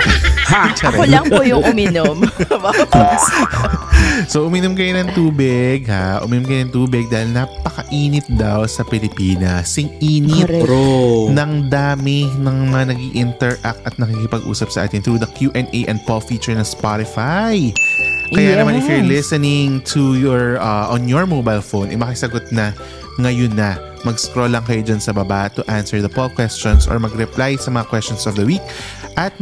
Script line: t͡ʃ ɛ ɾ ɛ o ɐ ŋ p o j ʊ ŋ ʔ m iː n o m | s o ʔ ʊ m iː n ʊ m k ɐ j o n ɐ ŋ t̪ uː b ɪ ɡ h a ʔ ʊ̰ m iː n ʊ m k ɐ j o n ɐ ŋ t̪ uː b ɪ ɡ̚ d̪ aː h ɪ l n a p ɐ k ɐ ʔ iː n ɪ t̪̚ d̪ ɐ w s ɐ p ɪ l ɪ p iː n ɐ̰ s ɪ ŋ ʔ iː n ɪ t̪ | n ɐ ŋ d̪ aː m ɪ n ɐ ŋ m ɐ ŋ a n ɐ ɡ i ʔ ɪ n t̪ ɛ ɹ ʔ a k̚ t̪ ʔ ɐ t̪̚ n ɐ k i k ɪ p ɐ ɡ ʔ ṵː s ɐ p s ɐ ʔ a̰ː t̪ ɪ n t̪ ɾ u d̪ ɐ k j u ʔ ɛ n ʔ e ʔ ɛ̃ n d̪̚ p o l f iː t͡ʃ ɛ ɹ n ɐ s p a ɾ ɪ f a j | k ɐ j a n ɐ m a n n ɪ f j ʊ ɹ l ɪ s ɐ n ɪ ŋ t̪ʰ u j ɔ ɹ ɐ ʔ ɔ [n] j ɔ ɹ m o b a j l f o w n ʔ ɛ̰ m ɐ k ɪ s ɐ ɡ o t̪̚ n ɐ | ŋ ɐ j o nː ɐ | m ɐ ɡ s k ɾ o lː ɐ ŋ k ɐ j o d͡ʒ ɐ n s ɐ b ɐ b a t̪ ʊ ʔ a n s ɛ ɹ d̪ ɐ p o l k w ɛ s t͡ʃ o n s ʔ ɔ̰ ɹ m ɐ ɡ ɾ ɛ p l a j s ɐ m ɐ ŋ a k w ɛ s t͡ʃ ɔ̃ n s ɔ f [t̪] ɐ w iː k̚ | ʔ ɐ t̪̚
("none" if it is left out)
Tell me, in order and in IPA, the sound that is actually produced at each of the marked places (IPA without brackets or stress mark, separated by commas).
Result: n, d̪